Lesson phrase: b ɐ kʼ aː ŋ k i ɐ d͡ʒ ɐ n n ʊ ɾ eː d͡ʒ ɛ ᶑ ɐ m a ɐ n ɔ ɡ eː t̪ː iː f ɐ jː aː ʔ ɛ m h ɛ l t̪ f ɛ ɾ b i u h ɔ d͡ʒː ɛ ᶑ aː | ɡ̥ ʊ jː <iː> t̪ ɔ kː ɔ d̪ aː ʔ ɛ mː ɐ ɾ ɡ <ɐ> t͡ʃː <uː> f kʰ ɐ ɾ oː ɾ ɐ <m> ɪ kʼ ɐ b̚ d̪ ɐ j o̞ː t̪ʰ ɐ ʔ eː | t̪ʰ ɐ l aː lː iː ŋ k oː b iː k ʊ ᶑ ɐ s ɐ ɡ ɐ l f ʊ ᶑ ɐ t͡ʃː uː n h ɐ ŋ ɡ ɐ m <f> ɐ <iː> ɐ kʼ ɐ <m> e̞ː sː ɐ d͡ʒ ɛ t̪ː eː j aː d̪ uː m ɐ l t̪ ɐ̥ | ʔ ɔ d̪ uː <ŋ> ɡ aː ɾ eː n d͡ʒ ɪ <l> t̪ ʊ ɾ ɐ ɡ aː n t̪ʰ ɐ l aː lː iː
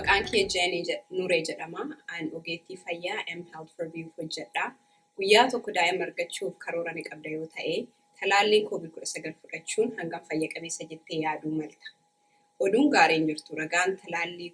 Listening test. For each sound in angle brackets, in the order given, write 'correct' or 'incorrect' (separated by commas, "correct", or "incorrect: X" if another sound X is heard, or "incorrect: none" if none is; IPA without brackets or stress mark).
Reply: incorrect: aː, correct, correct, incorrect: n, correct, incorrect: jː, incorrect: b, correct, incorrect: ɾ